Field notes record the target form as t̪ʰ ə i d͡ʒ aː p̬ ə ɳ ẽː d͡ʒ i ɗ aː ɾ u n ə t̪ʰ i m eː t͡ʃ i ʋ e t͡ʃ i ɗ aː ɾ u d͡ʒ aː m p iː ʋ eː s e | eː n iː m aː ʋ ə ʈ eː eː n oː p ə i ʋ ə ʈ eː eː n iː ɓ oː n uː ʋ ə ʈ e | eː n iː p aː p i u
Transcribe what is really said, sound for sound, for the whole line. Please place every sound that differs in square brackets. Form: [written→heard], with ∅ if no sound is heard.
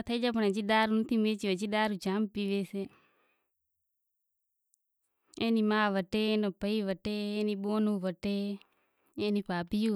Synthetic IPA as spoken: t̪ʰ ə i d͡ʒ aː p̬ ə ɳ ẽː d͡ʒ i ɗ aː ɾ u n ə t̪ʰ i m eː t͡ʃ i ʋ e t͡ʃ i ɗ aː ɾ u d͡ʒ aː m p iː ʋ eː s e | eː n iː m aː ʋ ə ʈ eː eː n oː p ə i ʋ ə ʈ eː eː n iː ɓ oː n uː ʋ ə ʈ e | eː n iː p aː p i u